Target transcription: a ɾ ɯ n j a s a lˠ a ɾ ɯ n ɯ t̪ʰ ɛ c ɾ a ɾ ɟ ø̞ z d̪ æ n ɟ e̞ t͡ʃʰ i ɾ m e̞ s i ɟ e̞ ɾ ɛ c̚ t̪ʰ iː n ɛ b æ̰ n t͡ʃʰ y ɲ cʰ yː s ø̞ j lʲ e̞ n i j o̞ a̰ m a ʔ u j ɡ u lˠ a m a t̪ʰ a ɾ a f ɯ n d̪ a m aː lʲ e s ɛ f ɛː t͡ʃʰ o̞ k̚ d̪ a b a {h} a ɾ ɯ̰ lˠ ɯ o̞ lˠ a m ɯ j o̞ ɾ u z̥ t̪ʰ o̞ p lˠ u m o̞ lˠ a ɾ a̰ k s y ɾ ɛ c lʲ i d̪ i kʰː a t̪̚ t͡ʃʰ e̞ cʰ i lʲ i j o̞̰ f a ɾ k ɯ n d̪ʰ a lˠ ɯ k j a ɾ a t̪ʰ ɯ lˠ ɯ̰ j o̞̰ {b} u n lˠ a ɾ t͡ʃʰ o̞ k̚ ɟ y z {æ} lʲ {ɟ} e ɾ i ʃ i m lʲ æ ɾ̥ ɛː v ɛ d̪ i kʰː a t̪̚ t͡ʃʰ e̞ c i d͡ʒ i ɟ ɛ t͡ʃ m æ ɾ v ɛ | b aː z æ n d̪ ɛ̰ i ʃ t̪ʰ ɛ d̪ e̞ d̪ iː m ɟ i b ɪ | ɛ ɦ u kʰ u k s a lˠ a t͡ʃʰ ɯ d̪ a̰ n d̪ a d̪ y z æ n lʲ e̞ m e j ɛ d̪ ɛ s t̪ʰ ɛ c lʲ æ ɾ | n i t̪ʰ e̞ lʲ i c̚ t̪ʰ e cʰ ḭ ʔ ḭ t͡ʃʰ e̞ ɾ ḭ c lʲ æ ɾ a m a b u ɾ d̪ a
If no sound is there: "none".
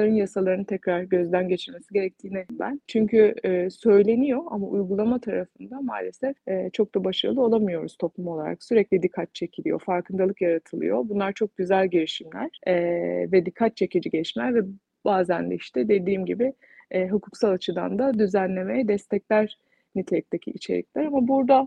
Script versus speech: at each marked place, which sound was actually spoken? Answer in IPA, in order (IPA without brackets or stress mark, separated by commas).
ʃ, b, æ, ɟ